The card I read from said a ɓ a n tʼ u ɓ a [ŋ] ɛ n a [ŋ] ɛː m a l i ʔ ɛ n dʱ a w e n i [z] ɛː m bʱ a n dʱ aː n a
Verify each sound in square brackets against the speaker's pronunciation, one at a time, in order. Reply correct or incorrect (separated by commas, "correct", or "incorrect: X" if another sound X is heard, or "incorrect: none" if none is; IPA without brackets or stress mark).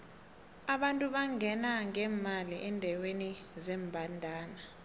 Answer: correct, correct, correct